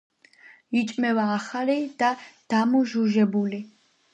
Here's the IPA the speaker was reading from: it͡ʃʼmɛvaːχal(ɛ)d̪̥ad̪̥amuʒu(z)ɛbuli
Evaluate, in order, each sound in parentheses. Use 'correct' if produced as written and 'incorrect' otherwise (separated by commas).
incorrect, incorrect